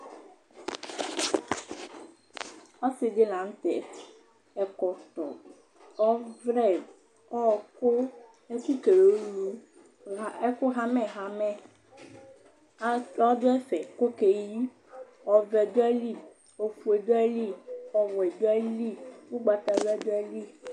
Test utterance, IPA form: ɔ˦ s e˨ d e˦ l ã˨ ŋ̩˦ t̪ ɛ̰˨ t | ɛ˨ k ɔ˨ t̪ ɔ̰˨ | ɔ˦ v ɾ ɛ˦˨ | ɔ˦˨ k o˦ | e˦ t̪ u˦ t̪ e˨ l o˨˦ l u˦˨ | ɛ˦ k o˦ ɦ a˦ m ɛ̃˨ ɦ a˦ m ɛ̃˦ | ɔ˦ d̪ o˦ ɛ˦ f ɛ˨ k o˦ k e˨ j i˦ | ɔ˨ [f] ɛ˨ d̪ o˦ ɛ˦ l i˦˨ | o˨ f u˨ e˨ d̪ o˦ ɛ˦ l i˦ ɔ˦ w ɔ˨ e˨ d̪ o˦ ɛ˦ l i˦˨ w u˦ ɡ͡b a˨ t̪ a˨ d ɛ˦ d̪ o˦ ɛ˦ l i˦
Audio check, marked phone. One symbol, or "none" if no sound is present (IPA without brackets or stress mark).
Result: v